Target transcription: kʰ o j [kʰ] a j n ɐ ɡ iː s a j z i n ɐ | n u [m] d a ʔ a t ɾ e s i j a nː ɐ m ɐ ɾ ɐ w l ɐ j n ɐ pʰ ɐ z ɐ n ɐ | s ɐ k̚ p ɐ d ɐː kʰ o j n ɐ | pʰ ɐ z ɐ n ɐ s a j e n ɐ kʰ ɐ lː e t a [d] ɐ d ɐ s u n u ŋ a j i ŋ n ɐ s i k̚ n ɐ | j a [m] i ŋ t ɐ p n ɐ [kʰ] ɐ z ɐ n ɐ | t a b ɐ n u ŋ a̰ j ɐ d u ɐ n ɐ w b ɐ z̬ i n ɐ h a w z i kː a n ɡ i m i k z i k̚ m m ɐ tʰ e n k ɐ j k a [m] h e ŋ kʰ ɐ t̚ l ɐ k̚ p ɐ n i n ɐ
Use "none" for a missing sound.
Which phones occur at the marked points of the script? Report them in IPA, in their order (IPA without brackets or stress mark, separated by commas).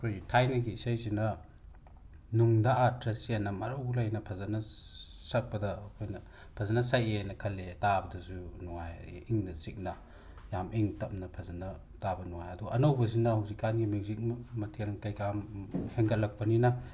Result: tʰ, ŋ, b, m, pʰ, m